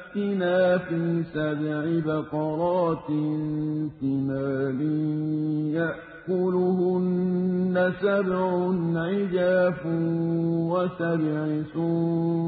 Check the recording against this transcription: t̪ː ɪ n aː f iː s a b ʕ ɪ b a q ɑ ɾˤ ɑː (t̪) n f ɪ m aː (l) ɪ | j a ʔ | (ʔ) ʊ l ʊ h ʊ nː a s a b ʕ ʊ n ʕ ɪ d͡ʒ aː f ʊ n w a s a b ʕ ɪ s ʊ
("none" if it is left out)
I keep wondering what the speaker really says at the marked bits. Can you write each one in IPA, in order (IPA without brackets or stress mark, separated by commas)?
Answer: t̪, l, k